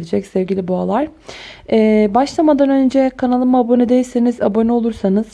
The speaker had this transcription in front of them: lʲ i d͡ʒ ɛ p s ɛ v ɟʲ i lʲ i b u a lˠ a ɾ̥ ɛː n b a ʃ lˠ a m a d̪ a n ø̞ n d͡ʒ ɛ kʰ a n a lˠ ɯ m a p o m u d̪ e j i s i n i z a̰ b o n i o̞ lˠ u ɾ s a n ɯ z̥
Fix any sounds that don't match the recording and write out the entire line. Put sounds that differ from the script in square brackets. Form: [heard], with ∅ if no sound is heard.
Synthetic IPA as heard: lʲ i d͡ʒ ɛ [c] s ɛ v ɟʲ i lʲ i b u a lˠ a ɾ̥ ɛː [∅] b a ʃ lˠ a m a d̪ a n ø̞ n d͡ʒ ɛ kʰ a n a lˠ ɯ m a [b] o [n] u d̪ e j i s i n i z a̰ b o n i o̞ lˠ u ɾ s a n ɯ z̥